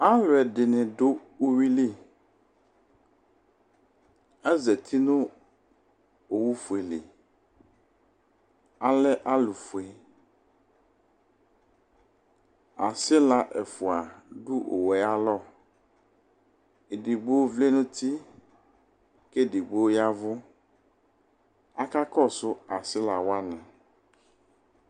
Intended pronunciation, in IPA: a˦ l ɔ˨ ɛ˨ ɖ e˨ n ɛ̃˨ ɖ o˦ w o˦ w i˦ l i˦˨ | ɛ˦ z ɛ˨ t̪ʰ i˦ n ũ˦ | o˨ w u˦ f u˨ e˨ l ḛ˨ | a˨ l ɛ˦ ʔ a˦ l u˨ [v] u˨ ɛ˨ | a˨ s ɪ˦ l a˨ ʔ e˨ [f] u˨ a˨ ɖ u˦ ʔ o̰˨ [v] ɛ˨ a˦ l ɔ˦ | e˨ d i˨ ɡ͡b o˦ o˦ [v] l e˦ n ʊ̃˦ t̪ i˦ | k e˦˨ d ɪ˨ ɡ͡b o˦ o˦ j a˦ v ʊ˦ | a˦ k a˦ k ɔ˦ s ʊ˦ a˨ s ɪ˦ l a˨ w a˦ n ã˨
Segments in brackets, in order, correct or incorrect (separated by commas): incorrect, correct, incorrect, correct